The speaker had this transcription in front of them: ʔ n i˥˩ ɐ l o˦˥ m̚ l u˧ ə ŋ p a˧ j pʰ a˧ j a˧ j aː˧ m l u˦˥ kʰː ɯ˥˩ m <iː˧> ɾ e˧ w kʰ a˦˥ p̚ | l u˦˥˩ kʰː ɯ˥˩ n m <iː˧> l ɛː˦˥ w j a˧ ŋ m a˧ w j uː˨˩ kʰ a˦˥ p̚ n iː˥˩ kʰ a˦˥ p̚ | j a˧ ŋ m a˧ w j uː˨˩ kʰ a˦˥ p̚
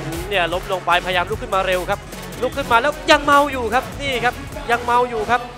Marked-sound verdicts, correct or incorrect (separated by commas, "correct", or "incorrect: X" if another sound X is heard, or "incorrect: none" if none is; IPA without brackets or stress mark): incorrect: aː˧, incorrect: aː˧